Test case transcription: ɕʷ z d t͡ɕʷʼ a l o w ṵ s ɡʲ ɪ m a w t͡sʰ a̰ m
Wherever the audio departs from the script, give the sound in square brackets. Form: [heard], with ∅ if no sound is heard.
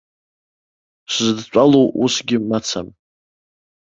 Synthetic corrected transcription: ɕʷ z d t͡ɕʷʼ a l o w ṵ s ɡʲ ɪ m a [∅] t͡sʰ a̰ m